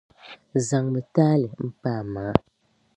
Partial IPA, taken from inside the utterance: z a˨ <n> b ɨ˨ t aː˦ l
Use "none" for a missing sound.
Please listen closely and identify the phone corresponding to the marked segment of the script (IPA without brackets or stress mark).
ŋ